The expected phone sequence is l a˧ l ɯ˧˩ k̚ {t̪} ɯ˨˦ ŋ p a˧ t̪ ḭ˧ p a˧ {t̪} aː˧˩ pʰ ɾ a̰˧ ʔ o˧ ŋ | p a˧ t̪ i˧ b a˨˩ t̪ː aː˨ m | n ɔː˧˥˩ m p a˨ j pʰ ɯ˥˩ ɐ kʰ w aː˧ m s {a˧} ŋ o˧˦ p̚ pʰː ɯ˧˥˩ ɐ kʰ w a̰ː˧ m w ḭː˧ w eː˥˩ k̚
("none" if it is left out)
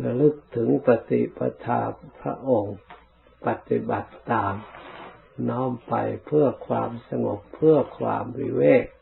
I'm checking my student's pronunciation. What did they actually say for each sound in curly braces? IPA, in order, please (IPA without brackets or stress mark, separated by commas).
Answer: t̪ʰ, t̪ʰ, a˧